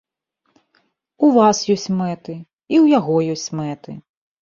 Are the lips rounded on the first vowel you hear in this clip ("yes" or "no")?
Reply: yes